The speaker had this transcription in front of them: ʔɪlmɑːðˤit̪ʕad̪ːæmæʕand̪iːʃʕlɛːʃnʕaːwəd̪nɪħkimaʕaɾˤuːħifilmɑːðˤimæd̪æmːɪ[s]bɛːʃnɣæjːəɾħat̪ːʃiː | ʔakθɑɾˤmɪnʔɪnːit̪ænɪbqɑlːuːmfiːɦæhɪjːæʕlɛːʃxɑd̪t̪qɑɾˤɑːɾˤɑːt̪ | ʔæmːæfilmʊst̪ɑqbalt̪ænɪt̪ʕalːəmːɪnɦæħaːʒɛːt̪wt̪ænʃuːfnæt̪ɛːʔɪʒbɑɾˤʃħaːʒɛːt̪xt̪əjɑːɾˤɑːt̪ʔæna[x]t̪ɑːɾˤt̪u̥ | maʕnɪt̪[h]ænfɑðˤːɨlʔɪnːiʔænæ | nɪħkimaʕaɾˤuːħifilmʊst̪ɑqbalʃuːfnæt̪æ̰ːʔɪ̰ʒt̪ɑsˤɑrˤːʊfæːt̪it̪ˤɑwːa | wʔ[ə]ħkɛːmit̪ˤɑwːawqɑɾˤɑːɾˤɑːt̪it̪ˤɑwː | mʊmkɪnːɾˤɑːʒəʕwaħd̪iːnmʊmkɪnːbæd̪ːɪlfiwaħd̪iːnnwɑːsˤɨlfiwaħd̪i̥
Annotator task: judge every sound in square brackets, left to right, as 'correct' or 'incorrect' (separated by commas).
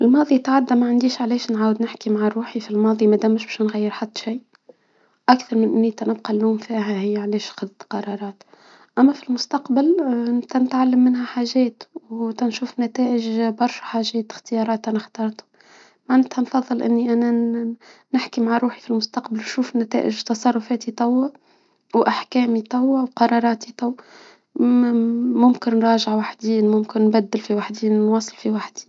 incorrect, correct, correct, incorrect